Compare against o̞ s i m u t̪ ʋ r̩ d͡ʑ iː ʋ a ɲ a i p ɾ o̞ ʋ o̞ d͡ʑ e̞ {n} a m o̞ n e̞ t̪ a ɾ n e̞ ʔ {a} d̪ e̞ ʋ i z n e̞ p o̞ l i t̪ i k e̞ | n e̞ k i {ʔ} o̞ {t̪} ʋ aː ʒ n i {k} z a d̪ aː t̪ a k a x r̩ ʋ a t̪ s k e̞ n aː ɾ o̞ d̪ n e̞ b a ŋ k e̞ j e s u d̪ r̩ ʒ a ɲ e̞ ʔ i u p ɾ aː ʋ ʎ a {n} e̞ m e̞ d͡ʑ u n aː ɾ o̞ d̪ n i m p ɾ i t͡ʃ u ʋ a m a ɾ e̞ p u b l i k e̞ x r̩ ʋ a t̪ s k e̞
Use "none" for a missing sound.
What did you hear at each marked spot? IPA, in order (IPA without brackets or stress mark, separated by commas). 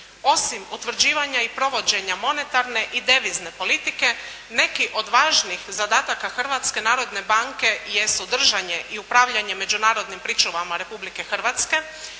ɲ, i, ʔ, d̪, x, ɲ